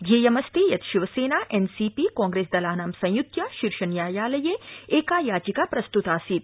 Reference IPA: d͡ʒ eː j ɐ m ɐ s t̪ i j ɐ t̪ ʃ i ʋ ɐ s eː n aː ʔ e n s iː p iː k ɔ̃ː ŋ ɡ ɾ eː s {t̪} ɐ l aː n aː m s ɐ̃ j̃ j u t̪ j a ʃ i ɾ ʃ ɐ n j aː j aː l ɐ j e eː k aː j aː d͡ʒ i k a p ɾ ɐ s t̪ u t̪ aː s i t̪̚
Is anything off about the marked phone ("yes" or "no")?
yes